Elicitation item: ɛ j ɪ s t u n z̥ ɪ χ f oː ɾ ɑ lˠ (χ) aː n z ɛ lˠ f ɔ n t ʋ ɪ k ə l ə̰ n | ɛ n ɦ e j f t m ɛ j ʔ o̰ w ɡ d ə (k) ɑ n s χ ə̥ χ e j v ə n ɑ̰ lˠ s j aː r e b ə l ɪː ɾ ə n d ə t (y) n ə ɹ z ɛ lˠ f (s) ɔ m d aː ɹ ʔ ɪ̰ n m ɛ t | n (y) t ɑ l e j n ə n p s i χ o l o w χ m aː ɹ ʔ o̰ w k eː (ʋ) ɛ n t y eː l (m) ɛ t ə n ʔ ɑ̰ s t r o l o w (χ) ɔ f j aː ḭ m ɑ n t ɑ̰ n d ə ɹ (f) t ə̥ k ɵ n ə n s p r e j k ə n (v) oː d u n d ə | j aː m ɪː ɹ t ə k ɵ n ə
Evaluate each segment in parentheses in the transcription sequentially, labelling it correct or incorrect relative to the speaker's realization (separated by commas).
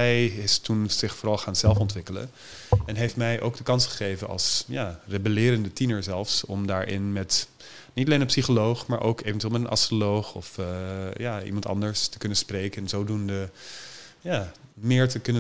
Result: correct, correct, incorrect, correct, incorrect, incorrect, correct, correct, incorrect, incorrect